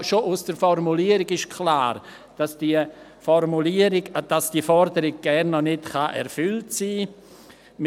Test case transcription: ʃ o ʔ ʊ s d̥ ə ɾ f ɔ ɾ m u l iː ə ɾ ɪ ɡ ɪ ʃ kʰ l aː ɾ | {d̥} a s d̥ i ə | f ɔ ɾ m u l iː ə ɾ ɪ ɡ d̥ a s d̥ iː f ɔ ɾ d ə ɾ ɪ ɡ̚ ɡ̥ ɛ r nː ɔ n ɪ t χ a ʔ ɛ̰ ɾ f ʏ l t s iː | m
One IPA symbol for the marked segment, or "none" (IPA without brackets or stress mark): d̥